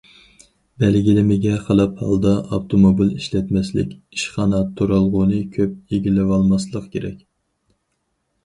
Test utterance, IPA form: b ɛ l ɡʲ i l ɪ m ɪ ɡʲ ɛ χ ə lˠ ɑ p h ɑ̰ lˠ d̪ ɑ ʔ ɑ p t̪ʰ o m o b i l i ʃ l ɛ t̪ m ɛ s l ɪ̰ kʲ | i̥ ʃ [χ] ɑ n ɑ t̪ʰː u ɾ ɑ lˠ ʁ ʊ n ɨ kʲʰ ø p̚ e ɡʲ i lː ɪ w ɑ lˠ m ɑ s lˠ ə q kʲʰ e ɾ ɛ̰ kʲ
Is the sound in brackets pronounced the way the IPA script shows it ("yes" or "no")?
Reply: yes